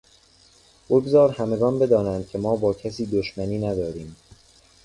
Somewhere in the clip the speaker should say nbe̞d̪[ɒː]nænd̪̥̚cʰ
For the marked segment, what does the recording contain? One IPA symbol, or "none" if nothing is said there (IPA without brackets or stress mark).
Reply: ɒː